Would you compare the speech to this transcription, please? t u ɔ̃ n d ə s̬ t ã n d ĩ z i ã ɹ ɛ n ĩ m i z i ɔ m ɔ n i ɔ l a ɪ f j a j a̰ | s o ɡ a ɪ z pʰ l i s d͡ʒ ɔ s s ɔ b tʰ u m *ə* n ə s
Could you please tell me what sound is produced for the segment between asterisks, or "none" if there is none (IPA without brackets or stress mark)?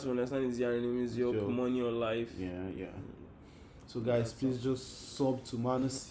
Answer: a